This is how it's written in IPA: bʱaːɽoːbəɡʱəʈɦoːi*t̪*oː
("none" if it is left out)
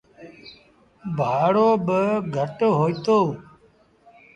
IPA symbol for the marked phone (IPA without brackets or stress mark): t̪